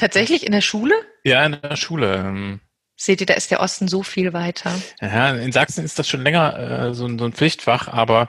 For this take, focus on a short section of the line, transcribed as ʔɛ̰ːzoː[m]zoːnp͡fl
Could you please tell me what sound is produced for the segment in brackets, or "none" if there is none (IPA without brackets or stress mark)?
n